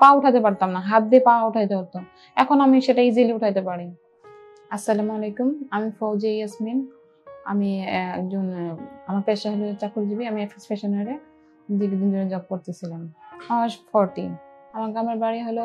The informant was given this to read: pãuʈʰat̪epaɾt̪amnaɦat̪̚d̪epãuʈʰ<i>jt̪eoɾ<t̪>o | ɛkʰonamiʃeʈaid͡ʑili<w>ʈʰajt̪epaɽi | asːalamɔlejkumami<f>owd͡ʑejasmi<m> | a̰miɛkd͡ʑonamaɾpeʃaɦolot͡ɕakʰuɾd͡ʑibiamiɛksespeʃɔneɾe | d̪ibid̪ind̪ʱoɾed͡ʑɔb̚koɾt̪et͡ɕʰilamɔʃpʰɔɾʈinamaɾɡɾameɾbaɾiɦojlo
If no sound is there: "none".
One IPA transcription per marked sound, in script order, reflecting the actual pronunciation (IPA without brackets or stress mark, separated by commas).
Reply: a, t̪, u, f, n